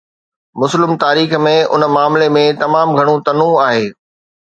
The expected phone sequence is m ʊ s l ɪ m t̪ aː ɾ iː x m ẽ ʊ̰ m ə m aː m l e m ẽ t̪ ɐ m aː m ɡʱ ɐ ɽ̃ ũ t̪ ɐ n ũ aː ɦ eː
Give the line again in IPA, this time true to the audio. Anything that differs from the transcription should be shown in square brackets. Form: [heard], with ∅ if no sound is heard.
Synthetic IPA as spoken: m ʊ s l ɪ m t̪ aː ɾ iː x m ẽ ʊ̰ [n] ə m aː m l e m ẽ t̪ ɐ m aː m ɡʱ ɐ ɽ̃ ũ t̪ ɐ n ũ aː ɦ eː